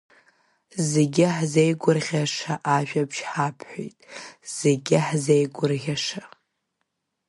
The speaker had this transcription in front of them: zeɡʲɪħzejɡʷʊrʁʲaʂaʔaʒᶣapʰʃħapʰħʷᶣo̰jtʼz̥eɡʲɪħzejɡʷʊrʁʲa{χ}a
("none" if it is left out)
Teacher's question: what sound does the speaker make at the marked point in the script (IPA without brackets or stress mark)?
ʂ